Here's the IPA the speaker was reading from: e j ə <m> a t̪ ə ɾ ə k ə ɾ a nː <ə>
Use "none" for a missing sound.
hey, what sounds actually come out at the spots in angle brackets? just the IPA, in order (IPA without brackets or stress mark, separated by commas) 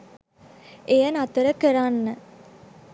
n, ə